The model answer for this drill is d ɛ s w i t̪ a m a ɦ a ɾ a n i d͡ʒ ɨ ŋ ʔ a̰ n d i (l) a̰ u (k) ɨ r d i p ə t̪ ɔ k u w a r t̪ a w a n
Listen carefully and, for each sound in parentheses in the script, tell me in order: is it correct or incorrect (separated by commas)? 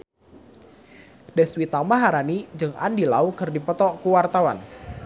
correct, correct